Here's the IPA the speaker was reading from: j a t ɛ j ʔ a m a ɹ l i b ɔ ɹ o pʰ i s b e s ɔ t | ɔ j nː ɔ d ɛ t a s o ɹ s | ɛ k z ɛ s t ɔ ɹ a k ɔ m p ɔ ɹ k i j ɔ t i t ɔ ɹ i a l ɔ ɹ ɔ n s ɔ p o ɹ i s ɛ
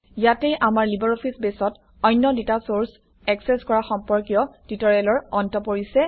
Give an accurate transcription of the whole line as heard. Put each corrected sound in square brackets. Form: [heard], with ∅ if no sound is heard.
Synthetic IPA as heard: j a t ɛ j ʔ a m a ɹ l i b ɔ ɹ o pʰ i s b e s ɔ t | ɔ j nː ɔ d [i] t a s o ɹ s | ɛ k [s] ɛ s [k] ɔ ɹ a [x] ɔ m p ɔ ɹ k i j ɔ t i t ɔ ɹ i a l ɔ ɹ ɔ n [t] ɔ p o ɹ i s ɛ